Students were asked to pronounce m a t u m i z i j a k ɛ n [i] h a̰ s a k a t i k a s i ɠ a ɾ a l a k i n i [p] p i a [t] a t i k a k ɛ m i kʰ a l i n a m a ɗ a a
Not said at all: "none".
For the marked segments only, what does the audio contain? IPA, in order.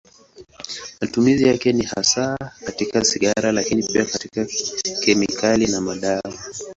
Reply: i, p, k

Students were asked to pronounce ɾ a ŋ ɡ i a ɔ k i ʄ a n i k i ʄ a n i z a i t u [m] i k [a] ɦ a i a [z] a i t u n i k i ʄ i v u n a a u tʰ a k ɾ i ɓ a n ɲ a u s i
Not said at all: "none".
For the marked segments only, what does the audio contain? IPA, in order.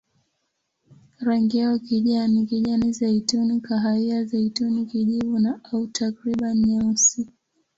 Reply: n, a, z

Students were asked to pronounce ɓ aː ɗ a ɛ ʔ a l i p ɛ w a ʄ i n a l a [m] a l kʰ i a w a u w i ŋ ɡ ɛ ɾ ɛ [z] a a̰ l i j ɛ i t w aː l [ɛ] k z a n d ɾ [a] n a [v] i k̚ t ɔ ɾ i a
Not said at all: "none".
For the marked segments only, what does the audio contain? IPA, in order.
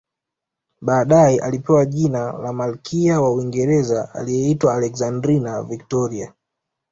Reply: m, z, ɛ, i, v

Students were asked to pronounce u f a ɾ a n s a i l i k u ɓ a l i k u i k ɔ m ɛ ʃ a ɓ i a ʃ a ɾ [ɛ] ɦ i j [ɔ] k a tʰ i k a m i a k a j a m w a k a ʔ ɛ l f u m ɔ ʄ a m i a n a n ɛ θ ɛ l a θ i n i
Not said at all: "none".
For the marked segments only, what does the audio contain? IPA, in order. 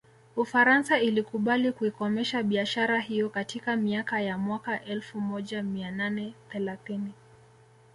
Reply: a, ɔ

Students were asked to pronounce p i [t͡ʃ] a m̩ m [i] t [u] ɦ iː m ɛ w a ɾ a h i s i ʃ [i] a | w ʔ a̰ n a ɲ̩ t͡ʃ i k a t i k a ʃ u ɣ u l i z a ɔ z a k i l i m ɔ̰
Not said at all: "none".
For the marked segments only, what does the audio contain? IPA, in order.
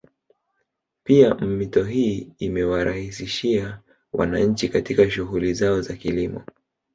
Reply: none, i, ɔ, i

